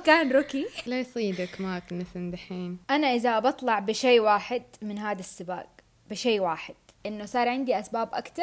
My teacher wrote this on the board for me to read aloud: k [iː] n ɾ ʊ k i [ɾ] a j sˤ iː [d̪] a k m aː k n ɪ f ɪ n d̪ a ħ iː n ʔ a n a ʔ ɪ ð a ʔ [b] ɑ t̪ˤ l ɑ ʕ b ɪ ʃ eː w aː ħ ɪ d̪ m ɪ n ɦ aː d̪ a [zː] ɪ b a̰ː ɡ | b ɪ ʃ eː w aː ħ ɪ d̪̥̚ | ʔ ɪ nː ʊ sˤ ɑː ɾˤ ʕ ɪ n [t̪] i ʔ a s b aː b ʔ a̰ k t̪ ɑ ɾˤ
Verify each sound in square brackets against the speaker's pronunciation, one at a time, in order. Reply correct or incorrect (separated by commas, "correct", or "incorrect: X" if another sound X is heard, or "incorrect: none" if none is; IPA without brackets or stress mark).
incorrect: aː, incorrect: l, correct, correct, incorrect: sː, incorrect: d̪